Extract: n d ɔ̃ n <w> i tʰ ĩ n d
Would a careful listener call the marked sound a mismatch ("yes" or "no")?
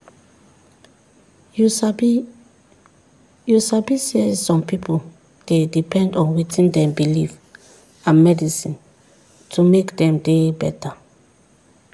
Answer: no